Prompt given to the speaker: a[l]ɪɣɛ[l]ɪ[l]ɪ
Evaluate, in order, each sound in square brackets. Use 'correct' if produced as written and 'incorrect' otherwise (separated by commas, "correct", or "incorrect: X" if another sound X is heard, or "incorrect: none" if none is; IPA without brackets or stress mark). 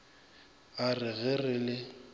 incorrect: r, incorrect: r, correct